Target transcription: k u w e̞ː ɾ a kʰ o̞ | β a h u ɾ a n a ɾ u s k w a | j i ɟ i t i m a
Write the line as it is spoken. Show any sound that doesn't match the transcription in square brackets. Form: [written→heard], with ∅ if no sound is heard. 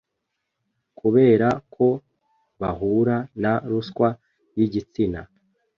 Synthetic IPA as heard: k u [w→β] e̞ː ɾ a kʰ o̞ | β a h u ɾ a n a ɾ u s k w a | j i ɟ i [t→t͡s] i [m→n] a